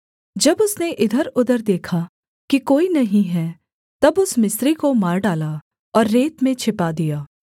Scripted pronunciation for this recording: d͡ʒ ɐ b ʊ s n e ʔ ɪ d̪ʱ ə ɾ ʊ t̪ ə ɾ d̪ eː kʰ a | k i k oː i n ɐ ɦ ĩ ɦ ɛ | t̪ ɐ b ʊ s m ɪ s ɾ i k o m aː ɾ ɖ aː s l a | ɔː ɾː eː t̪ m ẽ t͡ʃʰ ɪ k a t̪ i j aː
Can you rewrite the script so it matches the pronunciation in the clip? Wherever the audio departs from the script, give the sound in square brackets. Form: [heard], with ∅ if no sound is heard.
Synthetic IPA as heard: d͡ʒ ɐ b ʊ s n e ʔ ɪ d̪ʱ ə ɾ ʊ [d̪] ə ɾ d̪ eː kʰ a | k i k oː i n ɐ ɦ ĩ ɦ ɛ | t̪ ɐ b ʊ s m ɪ s ɾ i k o m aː ɾ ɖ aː [∅] l a | ɔː ɾː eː t̪ m ẽ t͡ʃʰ ɪ [p] a [d̪] i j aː

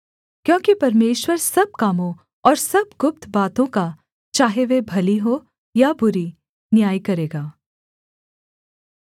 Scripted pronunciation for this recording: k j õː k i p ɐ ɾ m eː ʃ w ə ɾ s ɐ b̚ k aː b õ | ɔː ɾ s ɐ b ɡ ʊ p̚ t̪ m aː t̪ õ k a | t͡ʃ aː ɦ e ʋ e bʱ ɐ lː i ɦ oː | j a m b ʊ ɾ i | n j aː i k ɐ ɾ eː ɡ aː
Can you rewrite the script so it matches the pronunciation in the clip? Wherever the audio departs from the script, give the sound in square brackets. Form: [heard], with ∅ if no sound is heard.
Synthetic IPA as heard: k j õː k i p ɐ ɾ m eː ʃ w ə ɾ s ɐ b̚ k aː [m] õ | ɔː ɾ s ɐ b ɡ ʊ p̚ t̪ [b] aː t̪ õ k a | t͡ʃ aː ɦ e ʋ e bʱ ɐ [l] i ɦ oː | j a [∅] b ʊ ɾ i | n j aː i k ɐ ɾ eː ɡ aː

